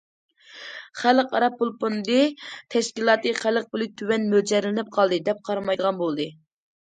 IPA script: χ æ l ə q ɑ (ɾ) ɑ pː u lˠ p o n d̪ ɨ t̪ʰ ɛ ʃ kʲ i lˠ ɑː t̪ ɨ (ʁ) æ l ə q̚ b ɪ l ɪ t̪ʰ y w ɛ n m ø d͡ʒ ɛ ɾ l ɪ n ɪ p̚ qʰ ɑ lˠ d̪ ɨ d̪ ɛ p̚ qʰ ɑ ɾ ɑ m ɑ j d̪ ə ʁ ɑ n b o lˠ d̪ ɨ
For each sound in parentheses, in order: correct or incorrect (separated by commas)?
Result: correct, incorrect